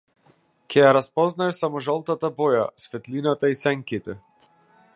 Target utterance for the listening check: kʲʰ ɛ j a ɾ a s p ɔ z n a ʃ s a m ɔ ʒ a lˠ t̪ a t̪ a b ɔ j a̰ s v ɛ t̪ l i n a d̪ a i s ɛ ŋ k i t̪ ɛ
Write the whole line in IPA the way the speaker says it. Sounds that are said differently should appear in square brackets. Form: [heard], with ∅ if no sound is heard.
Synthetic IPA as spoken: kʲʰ ɛ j a ɾ a s p ɔ z n a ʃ s a m ɔ ʒ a lˠ t̪ a t̪ a b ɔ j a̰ s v ɛ t̪ l i n a [t̪] a i s ɛ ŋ k i t̪ ɛ